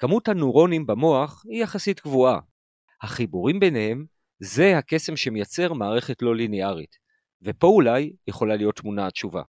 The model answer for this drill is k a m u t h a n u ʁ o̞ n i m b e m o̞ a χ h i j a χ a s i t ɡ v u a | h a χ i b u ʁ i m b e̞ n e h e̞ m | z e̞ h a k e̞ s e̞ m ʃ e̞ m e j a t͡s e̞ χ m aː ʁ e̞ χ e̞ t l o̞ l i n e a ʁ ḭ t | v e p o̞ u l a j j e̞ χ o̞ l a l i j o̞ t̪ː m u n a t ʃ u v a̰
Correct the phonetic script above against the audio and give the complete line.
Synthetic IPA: k a m u t h a n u ʁ o̞ n i m b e m o̞ a χ h i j a χ a s i t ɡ v u a | h a χ i b u ʁ i m b e̞ n e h e̞ m | z e̞ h a k e̞ s e̞ m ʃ e̞ m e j a t͡s e̞ ʁ m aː ʁ e̞ χ e̞ t l o̞ l i n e a ʁ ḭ t | v e p o̞ u l a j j e̞ χ o̞ l a l i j o̞ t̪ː m u n a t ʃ u v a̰